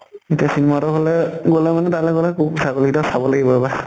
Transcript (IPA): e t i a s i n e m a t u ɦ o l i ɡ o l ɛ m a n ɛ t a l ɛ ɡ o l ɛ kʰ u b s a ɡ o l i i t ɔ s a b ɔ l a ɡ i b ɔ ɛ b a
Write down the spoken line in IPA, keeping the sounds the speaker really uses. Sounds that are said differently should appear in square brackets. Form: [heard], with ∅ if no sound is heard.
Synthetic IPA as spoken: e t i a s i n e m a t [ɔ] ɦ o l [ɛ] ɡ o l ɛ m a n ɛ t a l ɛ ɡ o l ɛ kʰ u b s a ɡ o l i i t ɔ s a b ɔ l a ɡ i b ɔ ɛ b a